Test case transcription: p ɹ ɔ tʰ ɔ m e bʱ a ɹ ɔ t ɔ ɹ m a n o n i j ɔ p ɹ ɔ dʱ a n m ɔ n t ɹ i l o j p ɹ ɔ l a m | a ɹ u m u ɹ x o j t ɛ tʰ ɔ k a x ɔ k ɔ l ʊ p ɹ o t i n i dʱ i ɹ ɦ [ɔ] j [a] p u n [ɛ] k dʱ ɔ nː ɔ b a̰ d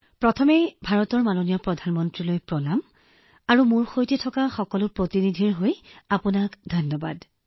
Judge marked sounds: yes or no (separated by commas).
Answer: no, yes, no